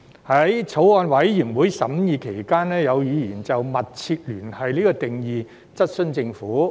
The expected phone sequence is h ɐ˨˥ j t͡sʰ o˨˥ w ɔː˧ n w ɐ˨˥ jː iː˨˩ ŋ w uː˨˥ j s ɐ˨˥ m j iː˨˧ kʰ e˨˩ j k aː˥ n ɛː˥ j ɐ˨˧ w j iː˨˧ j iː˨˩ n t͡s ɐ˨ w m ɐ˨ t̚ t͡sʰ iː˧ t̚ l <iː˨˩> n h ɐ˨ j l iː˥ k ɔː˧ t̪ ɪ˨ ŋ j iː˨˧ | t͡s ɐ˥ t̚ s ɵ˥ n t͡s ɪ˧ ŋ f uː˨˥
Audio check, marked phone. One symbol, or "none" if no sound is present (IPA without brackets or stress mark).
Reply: yː˨˩